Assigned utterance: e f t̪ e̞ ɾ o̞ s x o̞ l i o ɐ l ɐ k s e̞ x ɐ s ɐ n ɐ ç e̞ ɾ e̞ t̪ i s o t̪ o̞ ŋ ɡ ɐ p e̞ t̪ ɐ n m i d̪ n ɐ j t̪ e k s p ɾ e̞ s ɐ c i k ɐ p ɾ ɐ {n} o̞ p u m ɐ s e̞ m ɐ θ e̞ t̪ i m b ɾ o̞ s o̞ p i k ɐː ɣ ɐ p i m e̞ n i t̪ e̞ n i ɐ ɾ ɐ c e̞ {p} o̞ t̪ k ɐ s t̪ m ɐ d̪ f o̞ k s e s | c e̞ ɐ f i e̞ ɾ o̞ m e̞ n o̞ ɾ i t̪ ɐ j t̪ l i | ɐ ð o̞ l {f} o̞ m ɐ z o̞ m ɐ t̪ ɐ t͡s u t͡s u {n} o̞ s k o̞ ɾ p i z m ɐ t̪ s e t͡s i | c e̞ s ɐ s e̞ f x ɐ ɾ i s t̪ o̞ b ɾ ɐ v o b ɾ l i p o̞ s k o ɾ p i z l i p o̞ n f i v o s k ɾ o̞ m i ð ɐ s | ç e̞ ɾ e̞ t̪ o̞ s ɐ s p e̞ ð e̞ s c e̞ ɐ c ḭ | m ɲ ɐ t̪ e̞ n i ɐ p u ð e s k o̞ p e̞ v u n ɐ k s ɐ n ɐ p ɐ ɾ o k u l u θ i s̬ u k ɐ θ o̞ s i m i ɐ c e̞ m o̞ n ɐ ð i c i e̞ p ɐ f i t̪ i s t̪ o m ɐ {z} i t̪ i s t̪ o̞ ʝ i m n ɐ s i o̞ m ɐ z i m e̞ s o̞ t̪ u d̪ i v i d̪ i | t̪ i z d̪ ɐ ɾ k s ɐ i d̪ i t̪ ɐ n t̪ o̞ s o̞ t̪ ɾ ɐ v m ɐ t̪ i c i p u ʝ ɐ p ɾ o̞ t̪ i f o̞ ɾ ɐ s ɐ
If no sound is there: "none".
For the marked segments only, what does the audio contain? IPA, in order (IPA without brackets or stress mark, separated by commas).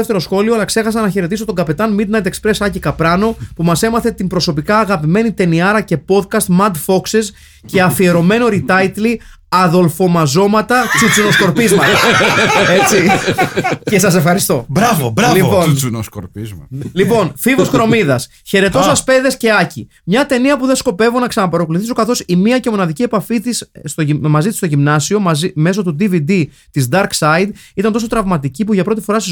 n, p, f, n, z